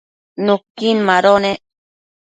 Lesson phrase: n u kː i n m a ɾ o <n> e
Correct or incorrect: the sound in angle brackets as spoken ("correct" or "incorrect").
correct